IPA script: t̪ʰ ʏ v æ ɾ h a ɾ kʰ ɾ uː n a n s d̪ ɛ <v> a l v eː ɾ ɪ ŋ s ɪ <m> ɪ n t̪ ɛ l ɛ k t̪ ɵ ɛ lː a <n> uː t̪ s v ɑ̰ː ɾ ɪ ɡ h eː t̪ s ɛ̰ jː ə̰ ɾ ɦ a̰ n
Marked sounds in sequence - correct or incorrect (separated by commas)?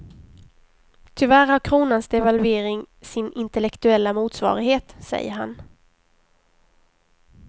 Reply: correct, incorrect, incorrect